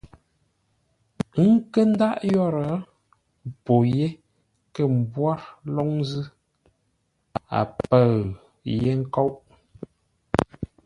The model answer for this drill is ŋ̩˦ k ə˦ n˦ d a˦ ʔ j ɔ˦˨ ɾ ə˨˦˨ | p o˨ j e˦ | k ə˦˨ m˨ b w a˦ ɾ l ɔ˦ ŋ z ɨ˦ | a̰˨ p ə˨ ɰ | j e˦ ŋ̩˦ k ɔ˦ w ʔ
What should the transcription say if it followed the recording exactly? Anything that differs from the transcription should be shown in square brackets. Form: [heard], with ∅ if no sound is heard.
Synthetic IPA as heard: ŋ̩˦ k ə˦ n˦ d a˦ ʔ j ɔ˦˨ ɾ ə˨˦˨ | p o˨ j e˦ | k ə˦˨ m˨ b w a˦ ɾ l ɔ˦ ŋ z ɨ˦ | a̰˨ p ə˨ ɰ | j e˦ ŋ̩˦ k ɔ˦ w ʔ